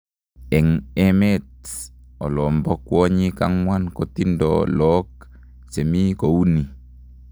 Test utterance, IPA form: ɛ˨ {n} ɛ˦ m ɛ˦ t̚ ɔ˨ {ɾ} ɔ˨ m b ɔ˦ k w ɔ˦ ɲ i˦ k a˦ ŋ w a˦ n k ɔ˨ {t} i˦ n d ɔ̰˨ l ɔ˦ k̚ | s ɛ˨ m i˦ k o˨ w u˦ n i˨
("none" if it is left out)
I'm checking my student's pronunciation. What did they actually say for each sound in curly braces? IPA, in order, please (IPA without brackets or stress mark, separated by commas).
ŋ, l, t